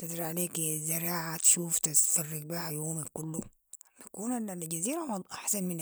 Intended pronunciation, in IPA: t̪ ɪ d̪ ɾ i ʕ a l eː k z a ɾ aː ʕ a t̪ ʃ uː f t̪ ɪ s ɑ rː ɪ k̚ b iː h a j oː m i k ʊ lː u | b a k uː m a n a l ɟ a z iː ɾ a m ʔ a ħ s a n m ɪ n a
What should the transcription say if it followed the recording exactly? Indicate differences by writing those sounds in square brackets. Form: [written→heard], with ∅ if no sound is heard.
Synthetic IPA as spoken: t̪ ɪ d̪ ɾ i ʕ a l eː k z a ɾ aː ʕ a t̪ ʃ uː f t̪ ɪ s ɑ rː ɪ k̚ b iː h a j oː m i k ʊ lː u | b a k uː [m→n] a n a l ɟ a z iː ɾ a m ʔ a ħ s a n m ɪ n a